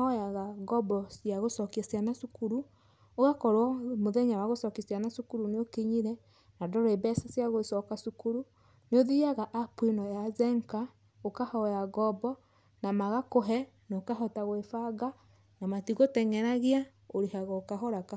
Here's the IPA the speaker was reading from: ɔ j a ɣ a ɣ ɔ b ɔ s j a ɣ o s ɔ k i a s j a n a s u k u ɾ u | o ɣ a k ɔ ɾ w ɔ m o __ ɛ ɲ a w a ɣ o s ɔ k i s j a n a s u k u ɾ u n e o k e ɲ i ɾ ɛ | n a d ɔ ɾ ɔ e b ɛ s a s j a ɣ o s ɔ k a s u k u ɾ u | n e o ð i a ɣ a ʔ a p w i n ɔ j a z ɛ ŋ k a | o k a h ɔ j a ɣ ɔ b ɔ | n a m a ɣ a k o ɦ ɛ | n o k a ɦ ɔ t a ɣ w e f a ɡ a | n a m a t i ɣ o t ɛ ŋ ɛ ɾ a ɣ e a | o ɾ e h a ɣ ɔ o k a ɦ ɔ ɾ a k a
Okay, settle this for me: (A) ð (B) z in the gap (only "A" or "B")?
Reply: A